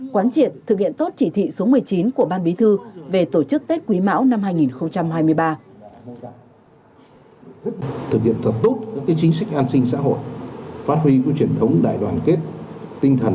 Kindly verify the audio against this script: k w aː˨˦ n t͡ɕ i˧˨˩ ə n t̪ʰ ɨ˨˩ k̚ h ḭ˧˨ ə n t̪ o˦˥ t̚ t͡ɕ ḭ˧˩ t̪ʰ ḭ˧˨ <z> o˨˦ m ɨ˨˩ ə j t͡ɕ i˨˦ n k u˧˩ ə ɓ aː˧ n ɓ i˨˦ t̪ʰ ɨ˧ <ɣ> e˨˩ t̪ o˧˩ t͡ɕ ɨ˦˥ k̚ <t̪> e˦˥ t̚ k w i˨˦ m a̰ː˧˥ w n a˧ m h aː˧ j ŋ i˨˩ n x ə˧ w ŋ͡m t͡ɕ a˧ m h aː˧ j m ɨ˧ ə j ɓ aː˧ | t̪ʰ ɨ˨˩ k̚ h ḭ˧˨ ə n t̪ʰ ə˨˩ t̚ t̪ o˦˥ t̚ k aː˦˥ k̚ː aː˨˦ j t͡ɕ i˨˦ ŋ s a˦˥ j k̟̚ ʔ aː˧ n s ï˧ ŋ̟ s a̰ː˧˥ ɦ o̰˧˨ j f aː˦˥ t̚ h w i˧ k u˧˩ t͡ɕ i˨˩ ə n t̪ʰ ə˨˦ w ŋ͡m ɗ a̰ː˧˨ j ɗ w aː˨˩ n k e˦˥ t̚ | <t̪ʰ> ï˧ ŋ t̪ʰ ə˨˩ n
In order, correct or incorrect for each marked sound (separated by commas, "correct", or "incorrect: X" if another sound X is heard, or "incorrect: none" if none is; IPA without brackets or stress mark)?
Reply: incorrect: s, incorrect: v, correct, incorrect: t̪